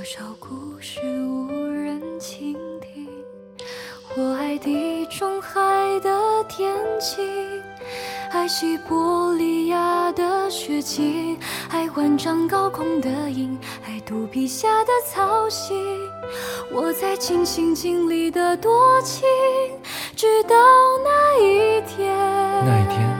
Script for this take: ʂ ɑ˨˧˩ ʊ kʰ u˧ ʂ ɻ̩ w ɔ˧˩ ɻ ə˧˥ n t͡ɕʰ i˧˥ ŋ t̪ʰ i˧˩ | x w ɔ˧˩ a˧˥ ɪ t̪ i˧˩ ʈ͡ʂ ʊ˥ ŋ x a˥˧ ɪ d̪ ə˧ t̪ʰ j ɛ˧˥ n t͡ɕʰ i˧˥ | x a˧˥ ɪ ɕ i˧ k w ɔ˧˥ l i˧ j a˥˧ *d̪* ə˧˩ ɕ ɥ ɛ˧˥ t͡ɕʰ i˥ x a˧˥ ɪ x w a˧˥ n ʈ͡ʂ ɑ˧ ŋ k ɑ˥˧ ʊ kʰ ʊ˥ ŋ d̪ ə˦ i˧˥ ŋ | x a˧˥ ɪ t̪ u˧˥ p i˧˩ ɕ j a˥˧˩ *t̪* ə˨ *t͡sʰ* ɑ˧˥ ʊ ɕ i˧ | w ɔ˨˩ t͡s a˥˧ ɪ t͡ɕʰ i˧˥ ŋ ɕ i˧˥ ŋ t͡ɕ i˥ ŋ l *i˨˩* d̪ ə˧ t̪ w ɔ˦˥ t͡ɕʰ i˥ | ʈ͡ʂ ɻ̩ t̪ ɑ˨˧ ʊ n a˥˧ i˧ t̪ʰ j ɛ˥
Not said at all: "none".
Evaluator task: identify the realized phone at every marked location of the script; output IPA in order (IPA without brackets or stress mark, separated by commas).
d̪, d̪, t͡sʰ, i˨˩